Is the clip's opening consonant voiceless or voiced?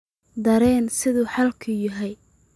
voiced